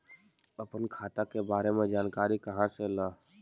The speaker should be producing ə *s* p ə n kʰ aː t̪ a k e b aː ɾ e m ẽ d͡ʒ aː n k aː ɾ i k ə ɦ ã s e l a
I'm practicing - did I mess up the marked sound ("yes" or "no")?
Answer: yes